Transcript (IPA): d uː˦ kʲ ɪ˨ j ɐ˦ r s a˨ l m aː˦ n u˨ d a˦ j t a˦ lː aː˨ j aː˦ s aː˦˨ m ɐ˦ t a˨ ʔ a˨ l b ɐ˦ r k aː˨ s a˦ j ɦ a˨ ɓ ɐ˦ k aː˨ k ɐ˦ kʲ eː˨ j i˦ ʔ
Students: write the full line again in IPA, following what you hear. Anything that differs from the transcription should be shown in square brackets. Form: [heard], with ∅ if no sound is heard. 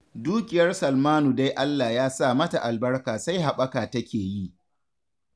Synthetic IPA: d uː˦ kʲ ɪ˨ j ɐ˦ r s [ɐ˨] l m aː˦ n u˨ d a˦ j [ʔ] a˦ lː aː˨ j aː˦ s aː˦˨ m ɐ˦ t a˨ ʔ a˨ l b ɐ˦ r k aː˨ s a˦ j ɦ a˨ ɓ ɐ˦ k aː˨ [t] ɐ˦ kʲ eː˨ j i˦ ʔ